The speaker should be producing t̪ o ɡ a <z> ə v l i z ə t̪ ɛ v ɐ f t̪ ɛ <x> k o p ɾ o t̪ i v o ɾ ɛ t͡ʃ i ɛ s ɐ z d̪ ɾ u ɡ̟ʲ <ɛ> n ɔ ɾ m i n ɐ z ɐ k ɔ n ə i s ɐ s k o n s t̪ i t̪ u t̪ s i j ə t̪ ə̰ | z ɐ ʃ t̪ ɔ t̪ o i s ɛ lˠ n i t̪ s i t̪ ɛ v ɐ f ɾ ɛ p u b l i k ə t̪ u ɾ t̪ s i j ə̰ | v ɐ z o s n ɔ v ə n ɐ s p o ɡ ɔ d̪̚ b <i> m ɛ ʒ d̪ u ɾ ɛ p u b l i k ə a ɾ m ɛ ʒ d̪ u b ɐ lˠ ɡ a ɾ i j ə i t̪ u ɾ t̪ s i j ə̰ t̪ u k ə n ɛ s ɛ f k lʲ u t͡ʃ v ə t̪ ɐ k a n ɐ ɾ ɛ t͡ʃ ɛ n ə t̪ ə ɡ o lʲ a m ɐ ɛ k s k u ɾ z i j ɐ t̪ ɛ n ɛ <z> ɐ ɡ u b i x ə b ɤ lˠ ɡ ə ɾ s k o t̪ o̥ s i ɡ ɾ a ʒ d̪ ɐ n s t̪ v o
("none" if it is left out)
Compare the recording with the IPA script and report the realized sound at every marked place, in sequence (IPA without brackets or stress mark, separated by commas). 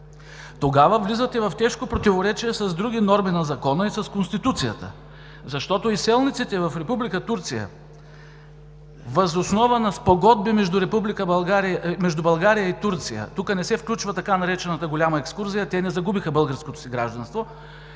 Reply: v, ʃ, i, i, z